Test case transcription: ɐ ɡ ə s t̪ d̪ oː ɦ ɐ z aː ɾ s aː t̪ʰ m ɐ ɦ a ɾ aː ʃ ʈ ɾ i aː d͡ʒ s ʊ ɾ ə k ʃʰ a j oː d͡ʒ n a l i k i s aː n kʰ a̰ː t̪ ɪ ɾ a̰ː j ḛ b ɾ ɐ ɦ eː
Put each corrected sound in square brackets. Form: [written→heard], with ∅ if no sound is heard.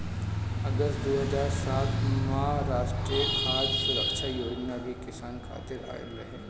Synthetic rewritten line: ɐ ɡ ə s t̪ d̪ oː ɦ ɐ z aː ɾ s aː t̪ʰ m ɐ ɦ a ɾ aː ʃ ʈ ɾ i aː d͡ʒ s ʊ ɾ ə k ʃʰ a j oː d͡ʒ n a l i k [i→ɪ] s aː n kʰ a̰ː t̪ ɪ ɾ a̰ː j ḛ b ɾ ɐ ɦ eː

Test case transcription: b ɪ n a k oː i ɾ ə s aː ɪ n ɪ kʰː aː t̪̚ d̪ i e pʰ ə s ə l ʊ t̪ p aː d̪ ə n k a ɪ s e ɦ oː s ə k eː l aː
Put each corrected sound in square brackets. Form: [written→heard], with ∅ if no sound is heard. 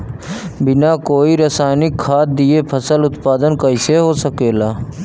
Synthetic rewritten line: b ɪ n a k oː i ɾ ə s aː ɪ n ɪ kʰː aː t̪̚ d̪ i e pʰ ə s ə l ʊ t̪ p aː d̪ ə n k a ɪ s e ɦ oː s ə k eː l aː

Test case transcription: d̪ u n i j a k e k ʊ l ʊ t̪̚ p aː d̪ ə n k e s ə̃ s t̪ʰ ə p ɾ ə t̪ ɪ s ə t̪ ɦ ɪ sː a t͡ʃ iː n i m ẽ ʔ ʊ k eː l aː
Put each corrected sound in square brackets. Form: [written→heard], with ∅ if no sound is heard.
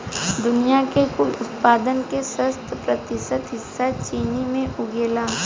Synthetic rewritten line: d̪ [u→ʊ] n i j a k e k ʊ l ʊ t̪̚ p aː d̪ ə n k e s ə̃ s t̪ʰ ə p ɾ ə t̪ ɪ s ə t̪ ɦ ɪ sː a t͡ʃ iː n i m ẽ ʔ ʊ [k→ɡ] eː l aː

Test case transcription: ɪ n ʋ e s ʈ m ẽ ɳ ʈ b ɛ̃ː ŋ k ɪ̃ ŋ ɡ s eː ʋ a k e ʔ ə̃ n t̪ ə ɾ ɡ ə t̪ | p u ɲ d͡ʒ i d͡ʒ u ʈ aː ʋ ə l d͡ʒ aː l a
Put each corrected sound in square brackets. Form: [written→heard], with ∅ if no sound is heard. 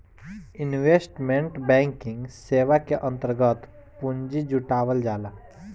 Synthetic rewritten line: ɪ n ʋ e s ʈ m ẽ ɳ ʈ b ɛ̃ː ŋ k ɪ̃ ŋ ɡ s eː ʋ a k e ʔ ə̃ n t̪ ə ɾ ɡ ə t̪ | p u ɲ d͡ʒ i d͡ʒ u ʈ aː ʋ ə l d͡ʒ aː l a

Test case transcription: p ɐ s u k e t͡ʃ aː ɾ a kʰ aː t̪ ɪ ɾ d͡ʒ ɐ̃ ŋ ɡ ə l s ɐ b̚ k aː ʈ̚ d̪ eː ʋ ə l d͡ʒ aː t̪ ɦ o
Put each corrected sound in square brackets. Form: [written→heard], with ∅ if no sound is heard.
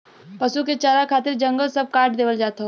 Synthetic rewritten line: p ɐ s u k e t͡ʃ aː ɾ a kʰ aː t̪ ɪ ɾ d͡ʒ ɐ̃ ŋ ɡ ə l s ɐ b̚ k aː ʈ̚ d̪ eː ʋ ə l d͡ʒ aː t̪ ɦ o

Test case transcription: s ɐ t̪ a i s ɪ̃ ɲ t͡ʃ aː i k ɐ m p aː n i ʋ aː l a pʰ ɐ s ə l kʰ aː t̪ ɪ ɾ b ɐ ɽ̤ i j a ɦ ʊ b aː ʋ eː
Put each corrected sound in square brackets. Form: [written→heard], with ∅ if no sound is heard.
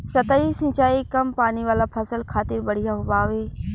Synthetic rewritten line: s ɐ t̪ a i s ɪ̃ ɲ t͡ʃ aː i k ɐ m p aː n i ʋ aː l a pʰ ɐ s ə l kʰ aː t̪ ɪ ɾ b ɐ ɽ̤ i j a ɦ ʊ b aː ʋ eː

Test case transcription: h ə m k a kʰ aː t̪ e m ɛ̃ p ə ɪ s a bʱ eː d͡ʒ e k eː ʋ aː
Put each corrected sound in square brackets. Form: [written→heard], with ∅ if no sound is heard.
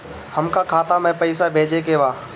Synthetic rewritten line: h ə m k a kʰ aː t̪ [e→a] m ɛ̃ p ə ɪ s a bʱ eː d͡ʒ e k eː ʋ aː

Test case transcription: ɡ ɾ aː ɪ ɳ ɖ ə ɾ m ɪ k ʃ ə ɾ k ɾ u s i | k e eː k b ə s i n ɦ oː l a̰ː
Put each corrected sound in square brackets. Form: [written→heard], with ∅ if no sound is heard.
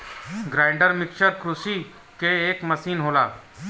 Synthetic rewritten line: ɡ ɾ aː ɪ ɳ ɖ ə ɾ m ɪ k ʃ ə ɾ k ɾ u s i | k e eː k [b→m] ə s [i→iː] n ɦ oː l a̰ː

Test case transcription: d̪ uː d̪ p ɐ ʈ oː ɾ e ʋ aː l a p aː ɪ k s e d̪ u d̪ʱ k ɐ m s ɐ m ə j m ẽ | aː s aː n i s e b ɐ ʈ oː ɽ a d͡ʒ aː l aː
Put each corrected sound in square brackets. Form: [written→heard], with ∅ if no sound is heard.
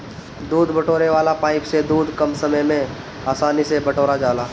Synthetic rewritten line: d̪ uː d̪ [p→b] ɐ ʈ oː ɾ e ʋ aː l a p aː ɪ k s e d̪ [u→uː] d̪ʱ k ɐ m s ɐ m ə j m ẽ | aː s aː n i s e b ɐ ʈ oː [ɽ→ɾ] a d͡ʒ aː l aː

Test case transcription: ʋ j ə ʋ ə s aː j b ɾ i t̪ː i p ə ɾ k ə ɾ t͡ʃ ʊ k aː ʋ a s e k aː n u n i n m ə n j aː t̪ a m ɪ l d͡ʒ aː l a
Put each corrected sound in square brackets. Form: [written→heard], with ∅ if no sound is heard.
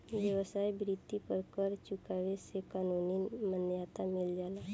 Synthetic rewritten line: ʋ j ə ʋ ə s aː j b ɾ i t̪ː i p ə ɾ k ə ɾ t͡ʃ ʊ k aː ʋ [a→e] s e k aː n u n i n m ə n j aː t̪ a m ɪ l d͡ʒ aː l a

